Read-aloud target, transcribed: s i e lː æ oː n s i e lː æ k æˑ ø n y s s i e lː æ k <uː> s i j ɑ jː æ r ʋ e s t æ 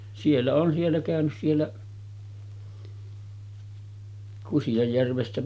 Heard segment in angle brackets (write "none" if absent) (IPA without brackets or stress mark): u